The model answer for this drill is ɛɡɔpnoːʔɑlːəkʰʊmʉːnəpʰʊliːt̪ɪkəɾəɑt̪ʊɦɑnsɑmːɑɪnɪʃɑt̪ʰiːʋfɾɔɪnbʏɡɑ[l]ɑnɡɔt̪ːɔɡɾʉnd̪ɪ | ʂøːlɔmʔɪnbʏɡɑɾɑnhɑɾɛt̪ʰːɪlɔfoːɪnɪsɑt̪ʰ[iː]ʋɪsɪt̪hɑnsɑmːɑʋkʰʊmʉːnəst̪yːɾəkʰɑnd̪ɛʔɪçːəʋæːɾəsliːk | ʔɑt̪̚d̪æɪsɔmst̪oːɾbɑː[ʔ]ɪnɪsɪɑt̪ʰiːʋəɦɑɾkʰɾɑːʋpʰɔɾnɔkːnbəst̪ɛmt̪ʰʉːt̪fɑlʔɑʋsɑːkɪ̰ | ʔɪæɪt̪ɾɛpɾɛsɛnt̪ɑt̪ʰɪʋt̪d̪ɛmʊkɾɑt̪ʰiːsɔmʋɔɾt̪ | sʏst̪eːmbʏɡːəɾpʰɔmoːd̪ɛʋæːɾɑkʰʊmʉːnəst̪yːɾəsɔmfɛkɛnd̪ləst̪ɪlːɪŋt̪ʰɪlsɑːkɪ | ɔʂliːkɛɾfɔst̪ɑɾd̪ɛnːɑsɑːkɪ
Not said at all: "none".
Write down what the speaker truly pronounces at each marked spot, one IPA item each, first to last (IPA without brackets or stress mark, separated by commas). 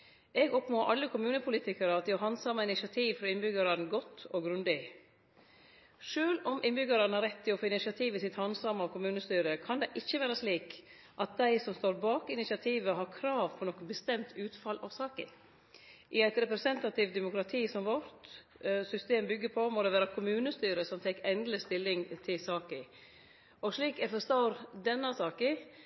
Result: ɾ, iː, k